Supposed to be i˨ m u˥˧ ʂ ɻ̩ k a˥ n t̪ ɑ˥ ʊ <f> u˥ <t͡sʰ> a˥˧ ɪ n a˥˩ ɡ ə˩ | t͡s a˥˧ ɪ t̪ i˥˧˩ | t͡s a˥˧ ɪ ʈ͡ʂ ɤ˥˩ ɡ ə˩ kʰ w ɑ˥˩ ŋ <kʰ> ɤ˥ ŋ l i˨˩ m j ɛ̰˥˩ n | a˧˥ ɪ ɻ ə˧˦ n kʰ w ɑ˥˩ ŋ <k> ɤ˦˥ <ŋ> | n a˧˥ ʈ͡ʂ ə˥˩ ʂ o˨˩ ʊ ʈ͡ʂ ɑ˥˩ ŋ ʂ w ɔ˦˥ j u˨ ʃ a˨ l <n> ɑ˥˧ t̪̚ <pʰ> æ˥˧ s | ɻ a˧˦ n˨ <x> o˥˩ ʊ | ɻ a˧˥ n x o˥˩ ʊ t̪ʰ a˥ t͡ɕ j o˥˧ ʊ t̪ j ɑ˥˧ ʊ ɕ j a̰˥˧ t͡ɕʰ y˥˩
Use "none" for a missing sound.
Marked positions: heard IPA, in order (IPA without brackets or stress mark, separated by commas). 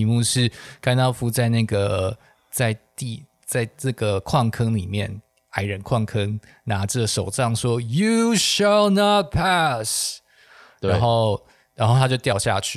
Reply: f, t͡s, kʰ, kʰ, ŋ, n, pʰ, x